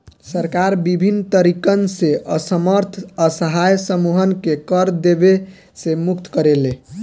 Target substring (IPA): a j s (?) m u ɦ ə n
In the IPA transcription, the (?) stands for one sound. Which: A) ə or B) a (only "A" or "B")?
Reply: A